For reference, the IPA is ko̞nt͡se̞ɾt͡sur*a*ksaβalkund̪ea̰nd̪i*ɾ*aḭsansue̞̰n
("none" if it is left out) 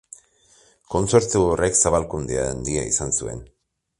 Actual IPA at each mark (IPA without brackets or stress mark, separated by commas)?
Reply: e, none